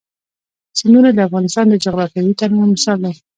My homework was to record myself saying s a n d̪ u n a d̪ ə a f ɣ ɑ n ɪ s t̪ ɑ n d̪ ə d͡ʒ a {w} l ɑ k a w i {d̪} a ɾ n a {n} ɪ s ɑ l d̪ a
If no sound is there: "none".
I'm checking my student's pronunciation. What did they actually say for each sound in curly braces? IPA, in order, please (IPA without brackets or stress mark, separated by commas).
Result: ɣ, t̪, m